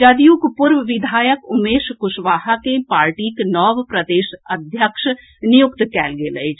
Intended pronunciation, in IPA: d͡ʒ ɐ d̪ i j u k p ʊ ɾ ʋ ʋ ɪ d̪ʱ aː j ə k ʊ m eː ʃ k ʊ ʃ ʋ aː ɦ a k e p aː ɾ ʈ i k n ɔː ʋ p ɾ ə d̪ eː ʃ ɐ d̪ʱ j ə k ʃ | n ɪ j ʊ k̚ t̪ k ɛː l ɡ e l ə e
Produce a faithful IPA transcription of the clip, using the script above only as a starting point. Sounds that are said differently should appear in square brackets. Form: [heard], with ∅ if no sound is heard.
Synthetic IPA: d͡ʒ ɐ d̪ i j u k p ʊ ɾ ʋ ʋ ɪ d̪ʱ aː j ə k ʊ m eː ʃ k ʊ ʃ ʋ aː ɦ a k e p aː ɾ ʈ i k n ɔː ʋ p ɾ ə d̪ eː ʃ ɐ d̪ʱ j ə k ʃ | n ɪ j ʊ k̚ t̪ k ɛː l ɡ e l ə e